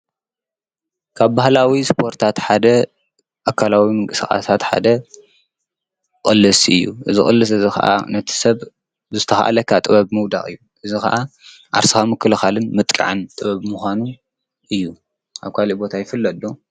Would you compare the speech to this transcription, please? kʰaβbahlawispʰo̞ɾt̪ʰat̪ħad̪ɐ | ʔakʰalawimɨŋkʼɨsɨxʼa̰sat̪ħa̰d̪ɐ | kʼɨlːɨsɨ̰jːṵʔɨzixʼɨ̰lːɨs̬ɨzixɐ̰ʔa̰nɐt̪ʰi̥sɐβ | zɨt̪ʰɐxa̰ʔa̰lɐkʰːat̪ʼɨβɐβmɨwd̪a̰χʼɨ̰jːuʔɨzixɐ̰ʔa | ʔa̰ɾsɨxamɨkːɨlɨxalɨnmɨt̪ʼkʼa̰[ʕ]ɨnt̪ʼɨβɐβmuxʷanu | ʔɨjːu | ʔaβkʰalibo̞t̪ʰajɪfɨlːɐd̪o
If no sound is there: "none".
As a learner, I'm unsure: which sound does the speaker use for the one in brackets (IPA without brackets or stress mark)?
ʕ